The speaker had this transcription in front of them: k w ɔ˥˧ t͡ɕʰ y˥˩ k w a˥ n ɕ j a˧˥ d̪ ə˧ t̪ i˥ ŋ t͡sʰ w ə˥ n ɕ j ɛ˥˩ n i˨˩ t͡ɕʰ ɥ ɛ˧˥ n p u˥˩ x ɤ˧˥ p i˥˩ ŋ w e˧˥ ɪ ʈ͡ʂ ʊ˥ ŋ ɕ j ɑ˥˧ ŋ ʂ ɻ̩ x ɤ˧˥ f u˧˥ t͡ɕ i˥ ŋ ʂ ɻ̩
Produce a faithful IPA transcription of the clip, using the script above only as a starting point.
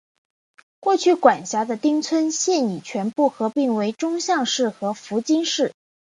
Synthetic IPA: k w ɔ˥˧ t͡ɕʰ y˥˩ k w a˨˩ n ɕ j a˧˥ d̪ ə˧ t̪ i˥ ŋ t͡sʰ w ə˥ n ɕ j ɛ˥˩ n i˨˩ t͡ɕʰ ɥ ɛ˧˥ n p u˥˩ x ɤ˧˥ p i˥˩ ŋ w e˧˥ ɪ ʈ͡ʂ ʊ˥ ŋ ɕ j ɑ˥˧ ŋ ʂ ɻ̩ x ɤ˧˥ f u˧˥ t͡ɕ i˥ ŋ ʂ ɻ̩